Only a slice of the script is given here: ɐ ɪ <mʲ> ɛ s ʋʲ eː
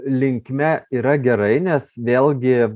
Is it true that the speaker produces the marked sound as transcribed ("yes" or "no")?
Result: no